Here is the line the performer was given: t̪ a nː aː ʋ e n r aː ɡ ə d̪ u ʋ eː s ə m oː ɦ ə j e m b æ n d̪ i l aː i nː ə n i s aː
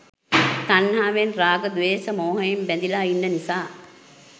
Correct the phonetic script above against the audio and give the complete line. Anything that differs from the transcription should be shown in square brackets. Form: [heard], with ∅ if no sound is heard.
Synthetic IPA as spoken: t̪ a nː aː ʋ e n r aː ɡ ə d̪ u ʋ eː s ə m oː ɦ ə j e m b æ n d̪ i l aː i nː ə n i s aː